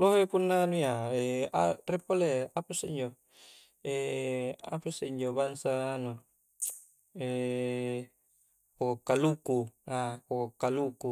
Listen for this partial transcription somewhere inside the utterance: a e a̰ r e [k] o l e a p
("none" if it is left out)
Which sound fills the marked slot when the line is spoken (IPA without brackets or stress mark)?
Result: p